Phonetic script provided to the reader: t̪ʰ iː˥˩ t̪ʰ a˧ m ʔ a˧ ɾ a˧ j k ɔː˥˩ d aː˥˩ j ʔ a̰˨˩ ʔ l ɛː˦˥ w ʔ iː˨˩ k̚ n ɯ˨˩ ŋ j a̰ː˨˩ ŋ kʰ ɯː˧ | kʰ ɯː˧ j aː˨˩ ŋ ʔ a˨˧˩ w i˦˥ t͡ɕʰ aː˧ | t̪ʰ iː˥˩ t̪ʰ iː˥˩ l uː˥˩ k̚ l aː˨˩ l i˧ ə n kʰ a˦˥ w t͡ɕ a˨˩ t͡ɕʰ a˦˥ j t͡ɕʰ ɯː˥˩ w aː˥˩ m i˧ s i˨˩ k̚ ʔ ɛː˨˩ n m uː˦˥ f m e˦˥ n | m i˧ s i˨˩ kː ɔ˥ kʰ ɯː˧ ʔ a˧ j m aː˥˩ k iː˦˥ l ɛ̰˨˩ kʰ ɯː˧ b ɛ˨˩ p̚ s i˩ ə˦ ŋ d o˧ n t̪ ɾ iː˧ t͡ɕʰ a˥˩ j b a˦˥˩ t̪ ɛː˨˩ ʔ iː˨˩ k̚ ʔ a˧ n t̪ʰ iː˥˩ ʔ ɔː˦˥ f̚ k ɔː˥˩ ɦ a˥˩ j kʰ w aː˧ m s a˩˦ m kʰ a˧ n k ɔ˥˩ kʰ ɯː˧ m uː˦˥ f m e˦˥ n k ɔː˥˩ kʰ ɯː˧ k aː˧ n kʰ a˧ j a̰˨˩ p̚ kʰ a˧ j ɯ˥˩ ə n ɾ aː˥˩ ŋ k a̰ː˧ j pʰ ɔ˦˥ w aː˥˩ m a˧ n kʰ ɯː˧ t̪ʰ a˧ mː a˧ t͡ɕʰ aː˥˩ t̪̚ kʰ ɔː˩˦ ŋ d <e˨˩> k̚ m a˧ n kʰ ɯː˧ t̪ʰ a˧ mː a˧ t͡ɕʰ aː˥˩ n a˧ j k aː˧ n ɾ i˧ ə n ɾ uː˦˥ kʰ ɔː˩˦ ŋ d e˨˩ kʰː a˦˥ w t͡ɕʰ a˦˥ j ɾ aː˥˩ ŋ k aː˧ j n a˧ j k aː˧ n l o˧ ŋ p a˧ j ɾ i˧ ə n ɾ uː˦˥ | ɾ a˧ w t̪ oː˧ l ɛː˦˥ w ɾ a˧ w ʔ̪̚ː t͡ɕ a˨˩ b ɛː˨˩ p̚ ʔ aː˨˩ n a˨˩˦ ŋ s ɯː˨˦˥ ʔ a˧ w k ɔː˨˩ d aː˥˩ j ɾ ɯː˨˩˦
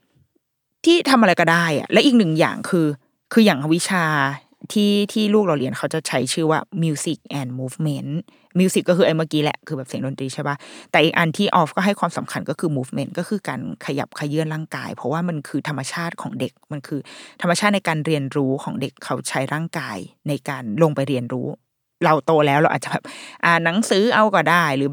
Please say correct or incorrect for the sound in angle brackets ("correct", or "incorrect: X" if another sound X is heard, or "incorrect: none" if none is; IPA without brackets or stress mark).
correct